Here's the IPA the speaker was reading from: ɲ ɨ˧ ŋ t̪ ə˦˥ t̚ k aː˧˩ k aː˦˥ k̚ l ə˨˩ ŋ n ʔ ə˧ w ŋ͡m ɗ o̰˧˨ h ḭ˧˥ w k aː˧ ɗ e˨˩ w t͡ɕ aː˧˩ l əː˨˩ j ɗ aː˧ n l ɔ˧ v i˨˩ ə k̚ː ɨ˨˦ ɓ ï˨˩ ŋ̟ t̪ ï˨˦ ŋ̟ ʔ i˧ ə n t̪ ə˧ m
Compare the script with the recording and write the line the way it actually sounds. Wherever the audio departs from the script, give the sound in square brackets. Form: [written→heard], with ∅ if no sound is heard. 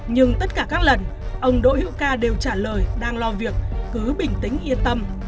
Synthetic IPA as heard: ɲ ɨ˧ ŋ t̪ ə˦˥ t̚ k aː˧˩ k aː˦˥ k̚ l ə˨˩ [ŋ→∅] n ʔ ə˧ w ŋ͡m ɗ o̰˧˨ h ḭ˧˥ w k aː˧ ɗ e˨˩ w t͡ɕ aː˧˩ l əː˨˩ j ɗ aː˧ [n→ŋ] l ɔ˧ v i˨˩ ə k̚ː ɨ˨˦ ɓ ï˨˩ ŋ̟ t̪ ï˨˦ ŋ̟ ʔ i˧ ə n t̪ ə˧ m